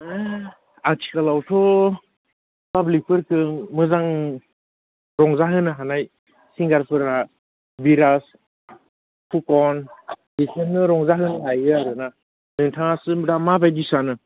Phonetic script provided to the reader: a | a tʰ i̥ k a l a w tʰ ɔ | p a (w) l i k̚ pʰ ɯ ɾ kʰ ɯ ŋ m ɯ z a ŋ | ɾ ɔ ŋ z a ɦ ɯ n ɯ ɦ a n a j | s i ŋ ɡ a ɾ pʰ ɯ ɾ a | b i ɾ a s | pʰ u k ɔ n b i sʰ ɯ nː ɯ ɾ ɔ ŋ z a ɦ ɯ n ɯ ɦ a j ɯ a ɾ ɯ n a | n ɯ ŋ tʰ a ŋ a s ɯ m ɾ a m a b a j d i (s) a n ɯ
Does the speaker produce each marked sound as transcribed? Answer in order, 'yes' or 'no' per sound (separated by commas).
no, yes